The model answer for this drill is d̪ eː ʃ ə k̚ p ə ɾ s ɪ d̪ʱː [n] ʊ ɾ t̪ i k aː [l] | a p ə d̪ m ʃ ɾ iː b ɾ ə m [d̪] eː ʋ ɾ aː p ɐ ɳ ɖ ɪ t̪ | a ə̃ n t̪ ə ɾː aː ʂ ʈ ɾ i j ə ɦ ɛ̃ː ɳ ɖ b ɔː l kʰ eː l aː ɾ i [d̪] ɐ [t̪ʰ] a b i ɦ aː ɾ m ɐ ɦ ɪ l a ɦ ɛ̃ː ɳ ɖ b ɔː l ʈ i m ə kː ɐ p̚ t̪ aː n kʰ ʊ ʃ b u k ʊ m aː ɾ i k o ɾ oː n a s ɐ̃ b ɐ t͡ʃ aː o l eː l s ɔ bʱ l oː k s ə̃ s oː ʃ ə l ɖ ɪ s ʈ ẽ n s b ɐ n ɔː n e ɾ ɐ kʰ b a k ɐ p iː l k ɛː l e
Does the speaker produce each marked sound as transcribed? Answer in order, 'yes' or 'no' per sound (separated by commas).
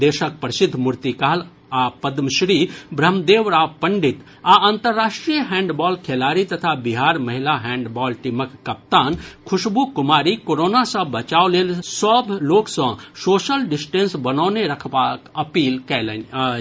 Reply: no, yes, yes, no, yes